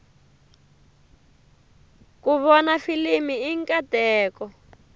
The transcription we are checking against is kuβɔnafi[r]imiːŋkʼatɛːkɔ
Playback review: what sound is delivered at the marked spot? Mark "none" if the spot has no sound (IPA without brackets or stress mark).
l